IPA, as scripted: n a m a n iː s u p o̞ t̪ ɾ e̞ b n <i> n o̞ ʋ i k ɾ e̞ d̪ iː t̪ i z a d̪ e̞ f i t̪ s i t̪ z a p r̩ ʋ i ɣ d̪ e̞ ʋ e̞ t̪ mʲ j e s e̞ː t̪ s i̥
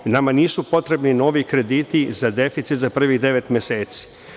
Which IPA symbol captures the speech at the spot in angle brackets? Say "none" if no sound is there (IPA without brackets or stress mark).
i